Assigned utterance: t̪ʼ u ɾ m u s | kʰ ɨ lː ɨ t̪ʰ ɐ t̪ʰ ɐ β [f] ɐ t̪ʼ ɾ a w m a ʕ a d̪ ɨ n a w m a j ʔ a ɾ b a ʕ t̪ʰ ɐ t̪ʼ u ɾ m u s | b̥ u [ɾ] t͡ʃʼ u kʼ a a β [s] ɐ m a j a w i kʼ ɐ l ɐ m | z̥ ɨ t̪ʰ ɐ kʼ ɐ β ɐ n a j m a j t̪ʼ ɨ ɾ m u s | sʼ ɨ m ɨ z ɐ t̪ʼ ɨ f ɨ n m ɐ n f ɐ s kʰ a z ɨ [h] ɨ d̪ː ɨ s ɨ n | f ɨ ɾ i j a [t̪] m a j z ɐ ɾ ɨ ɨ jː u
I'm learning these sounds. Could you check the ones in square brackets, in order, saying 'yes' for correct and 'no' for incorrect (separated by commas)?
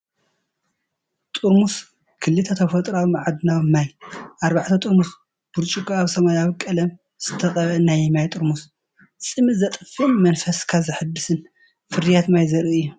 yes, yes, yes, no, yes